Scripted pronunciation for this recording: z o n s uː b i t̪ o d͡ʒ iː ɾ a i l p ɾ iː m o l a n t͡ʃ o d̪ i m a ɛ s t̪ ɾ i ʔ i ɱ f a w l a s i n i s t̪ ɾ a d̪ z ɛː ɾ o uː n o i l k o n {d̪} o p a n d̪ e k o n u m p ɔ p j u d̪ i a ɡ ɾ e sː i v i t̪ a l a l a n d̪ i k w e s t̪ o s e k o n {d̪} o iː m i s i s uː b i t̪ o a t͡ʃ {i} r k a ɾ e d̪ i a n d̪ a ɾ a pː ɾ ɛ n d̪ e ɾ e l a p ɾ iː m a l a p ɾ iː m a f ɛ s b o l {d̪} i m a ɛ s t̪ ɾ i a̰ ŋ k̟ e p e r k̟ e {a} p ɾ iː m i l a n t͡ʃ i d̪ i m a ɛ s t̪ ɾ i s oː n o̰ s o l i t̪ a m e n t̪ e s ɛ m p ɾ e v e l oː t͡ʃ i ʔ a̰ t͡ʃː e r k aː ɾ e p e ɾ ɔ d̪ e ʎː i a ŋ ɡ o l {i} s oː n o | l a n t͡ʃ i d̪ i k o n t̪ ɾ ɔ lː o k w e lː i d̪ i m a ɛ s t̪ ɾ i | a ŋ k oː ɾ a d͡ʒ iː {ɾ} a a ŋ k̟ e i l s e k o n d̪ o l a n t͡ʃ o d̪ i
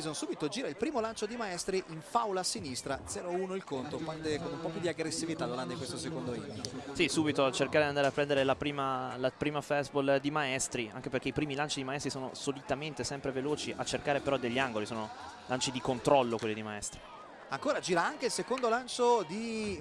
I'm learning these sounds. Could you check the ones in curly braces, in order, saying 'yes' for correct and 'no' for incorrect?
no, yes, no, yes, no, yes, yes

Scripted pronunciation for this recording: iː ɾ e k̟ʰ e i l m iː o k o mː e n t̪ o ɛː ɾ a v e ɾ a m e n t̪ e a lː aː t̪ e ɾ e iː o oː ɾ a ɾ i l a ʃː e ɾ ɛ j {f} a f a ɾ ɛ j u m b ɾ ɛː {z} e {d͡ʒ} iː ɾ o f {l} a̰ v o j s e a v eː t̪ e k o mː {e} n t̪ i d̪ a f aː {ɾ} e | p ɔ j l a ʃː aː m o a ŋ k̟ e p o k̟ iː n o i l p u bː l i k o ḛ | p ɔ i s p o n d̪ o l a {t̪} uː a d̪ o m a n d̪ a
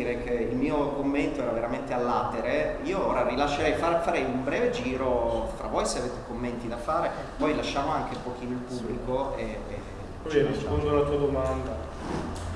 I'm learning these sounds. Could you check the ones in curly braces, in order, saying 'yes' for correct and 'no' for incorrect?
yes, no, yes, no, yes, yes, yes

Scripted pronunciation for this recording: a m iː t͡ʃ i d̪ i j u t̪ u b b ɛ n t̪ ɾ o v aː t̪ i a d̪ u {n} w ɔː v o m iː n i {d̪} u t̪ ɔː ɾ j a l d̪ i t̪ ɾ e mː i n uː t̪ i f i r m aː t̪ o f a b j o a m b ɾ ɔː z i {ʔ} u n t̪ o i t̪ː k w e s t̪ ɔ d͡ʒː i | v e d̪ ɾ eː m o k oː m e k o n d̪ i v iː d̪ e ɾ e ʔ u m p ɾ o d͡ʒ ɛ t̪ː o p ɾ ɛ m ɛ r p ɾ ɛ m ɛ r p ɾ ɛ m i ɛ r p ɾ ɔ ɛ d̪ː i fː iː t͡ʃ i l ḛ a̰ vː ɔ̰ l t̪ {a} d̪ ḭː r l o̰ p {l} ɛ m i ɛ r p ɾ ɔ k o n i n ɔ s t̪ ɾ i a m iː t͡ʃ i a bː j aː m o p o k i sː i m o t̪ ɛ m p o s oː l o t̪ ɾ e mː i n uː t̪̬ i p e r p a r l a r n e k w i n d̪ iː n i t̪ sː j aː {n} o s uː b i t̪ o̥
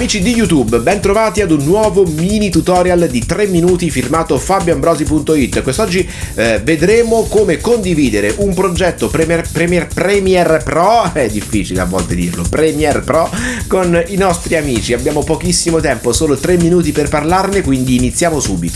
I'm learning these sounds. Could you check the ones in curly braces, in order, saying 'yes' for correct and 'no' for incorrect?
no, no, no, no, no, no

